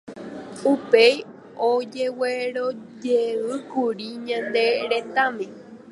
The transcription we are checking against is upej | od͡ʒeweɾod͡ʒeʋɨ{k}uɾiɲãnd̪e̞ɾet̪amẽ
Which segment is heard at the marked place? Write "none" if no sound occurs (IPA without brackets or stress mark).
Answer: k